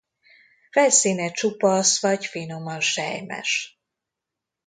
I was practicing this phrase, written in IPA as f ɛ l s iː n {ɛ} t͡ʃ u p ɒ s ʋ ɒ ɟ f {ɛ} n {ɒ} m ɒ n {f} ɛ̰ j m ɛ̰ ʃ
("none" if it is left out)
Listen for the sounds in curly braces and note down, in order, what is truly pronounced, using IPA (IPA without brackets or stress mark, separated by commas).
ɛ, i, o, ʃ